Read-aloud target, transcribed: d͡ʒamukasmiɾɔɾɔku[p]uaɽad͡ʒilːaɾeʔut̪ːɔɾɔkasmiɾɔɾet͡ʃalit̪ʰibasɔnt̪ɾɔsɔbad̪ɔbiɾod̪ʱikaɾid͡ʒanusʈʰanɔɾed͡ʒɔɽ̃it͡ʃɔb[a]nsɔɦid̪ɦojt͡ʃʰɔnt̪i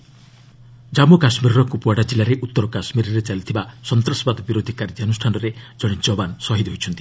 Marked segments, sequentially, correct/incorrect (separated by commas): correct, correct